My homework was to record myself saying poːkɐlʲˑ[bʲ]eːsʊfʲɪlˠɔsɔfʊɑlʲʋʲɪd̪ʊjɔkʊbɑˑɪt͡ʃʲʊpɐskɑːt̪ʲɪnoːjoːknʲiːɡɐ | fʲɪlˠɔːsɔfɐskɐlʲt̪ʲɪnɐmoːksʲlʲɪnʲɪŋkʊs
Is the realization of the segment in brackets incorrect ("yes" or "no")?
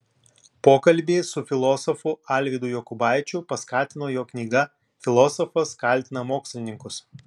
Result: no